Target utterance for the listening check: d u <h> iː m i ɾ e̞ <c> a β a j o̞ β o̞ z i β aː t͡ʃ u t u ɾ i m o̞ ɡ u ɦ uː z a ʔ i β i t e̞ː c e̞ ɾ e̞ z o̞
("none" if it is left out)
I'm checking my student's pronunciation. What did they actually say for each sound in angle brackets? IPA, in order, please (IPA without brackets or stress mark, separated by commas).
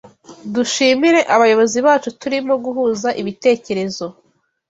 ʃ, ʔ